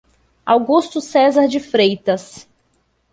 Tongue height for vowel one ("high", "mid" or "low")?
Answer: low